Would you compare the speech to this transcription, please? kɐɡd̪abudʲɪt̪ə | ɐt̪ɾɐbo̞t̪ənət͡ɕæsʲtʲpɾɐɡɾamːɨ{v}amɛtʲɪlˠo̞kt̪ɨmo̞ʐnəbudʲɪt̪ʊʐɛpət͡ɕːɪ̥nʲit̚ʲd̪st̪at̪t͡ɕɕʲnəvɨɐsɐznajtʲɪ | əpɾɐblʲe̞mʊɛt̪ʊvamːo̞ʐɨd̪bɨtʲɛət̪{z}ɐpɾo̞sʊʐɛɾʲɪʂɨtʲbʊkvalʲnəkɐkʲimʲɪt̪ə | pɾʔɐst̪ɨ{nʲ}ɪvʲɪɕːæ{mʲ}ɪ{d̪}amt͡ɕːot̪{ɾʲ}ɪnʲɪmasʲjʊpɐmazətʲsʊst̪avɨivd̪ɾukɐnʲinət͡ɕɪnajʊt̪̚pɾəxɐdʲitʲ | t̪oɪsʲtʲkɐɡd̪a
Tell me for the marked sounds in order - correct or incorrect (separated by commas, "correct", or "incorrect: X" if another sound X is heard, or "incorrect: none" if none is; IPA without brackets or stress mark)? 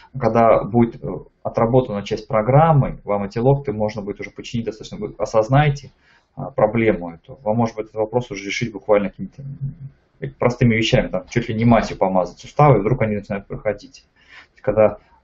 correct, incorrect: v, incorrect: mʲ, correct, incorrect: t̪, incorrect: lʲ